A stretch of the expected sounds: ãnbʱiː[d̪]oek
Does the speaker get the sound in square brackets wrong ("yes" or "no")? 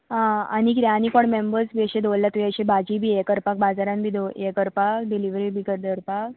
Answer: no